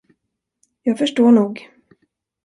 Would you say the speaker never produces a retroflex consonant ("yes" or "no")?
no